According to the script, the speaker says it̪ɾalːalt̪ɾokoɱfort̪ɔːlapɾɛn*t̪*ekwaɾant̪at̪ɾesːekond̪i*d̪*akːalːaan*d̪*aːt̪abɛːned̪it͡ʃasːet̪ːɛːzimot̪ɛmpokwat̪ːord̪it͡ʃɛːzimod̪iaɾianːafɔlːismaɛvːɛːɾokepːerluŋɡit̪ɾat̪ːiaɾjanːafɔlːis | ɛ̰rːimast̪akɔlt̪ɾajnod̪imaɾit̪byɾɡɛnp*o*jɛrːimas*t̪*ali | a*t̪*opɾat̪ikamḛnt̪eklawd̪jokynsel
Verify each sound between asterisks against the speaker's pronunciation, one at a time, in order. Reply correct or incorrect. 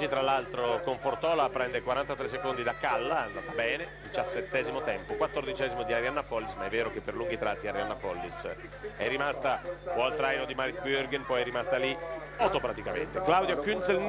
incorrect, correct, correct, incorrect, correct, correct

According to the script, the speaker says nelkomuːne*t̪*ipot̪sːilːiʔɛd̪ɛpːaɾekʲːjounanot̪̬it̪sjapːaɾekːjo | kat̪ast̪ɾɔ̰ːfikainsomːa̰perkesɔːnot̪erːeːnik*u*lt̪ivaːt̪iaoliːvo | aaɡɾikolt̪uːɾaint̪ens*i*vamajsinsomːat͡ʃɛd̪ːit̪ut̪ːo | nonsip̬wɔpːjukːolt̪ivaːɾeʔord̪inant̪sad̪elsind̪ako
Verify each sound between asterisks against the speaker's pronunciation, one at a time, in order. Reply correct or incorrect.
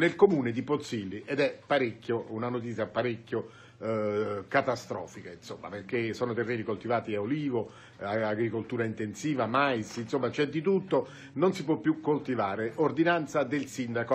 incorrect, incorrect, incorrect

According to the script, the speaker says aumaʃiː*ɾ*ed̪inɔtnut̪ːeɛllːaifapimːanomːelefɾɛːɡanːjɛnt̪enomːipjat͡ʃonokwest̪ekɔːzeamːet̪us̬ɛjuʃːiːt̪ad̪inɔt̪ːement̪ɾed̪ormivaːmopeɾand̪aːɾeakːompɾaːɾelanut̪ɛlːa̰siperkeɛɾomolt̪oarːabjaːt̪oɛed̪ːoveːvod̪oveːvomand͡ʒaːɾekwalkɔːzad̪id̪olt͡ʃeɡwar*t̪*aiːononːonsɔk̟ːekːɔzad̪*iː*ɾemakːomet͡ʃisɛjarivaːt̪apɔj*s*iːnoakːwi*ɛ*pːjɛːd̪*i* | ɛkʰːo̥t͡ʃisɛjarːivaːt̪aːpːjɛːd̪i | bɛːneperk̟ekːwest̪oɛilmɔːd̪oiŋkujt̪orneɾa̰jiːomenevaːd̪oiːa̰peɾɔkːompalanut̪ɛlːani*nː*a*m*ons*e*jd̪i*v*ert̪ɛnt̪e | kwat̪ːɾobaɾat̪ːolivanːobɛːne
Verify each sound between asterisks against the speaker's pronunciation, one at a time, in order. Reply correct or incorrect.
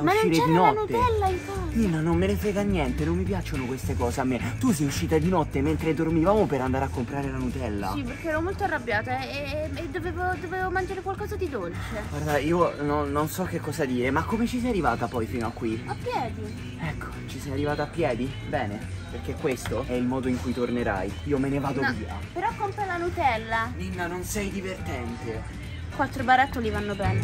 correct, incorrect, correct, incorrect, incorrect, correct, correct, incorrect, incorrect, correct

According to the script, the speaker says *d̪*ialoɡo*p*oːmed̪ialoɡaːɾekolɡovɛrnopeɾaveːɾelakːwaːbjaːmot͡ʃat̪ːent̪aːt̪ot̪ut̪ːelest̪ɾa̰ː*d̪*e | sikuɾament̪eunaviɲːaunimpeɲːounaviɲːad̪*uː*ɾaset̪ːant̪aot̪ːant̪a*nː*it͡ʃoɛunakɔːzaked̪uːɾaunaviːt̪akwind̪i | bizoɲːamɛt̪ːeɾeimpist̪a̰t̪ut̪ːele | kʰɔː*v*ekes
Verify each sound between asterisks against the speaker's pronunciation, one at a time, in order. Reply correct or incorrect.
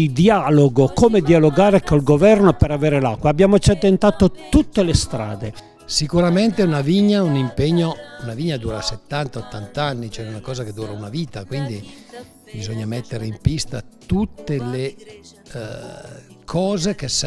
correct, incorrect, correct, correct, correct, incorrect

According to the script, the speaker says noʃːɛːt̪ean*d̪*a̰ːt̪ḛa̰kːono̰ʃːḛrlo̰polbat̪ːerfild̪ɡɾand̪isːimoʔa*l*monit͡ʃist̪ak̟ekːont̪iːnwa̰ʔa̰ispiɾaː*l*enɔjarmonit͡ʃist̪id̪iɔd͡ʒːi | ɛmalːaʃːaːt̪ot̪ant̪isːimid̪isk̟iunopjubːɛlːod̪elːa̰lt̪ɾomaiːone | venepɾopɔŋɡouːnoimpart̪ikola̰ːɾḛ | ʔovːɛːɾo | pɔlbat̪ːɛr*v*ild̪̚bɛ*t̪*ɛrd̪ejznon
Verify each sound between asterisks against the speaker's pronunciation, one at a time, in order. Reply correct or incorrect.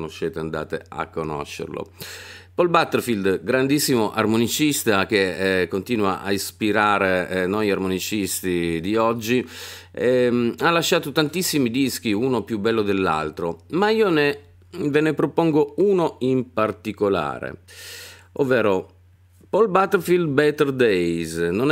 correct, incorrect, incorrect, incorrect, correct

